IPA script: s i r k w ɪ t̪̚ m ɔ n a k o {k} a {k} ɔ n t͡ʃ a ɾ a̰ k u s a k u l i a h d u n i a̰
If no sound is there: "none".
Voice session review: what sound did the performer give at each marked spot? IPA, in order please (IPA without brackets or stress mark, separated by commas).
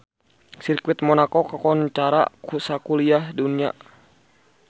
k, k